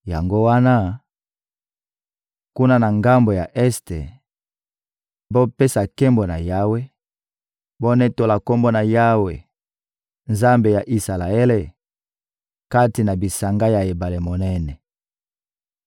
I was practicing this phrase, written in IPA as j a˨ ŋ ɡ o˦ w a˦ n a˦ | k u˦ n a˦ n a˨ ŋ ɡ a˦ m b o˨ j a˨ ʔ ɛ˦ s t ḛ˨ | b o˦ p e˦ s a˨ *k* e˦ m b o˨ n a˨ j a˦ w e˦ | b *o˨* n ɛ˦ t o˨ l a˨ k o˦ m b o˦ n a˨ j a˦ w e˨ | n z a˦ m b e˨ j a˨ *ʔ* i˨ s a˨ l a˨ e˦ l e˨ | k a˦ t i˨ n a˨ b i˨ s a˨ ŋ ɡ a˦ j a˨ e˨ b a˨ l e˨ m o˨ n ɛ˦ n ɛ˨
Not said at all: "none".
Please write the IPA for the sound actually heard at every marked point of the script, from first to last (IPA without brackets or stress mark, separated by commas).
k, o˦, ʔ